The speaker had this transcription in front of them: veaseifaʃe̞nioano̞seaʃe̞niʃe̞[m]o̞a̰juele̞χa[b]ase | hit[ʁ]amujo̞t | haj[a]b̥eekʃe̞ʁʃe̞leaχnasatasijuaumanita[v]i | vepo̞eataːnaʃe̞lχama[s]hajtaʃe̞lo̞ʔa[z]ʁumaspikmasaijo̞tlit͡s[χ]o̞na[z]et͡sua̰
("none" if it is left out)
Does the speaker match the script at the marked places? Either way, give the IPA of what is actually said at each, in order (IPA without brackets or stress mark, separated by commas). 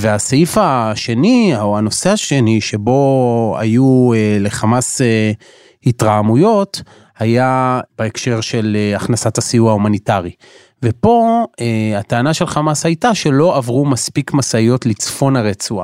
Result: b, m, ʁ, a, ʁ, s, v, f, ʁ